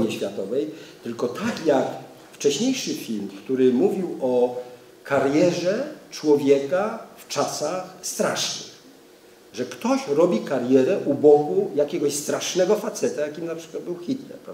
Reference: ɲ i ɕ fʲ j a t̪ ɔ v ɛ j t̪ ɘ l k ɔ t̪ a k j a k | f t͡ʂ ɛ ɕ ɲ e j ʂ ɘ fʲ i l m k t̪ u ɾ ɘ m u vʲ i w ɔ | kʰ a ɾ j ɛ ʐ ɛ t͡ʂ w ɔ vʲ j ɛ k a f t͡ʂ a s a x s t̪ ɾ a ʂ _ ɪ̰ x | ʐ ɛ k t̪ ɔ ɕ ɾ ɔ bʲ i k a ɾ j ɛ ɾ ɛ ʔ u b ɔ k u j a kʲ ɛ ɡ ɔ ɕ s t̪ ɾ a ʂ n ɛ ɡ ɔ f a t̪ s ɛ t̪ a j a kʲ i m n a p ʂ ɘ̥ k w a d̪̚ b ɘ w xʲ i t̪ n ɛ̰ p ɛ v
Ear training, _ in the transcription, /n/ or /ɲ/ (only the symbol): n